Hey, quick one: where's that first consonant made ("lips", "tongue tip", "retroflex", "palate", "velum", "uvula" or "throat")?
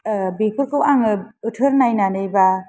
lips